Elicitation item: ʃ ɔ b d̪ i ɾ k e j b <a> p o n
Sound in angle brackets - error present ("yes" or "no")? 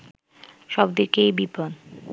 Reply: yes